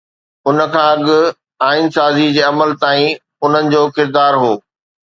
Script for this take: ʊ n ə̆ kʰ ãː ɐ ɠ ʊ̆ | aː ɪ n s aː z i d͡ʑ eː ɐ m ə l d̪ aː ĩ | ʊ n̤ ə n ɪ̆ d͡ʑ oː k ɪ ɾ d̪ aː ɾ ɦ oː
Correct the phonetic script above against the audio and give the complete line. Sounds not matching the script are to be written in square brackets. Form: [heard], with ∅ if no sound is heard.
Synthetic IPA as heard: ʊ n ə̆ kʰ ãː ɐ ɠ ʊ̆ | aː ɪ n s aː z i d͡ʑ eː ɐ m ə l [t̪] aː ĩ | ʊ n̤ ə n ɪ̆ d͡ʑ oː k ɪ ɾ d̪ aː ɾ ɦ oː